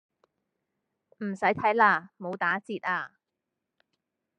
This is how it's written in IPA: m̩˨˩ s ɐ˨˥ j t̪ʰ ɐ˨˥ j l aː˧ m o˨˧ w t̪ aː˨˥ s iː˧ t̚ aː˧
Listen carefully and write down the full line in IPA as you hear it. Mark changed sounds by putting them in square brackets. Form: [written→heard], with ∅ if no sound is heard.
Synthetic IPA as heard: m̩˨˩ s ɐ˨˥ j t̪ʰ ɐ˨˥ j l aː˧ m o˨˧ w t̪ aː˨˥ [s→t͡s] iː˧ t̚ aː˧